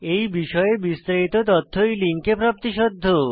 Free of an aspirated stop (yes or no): no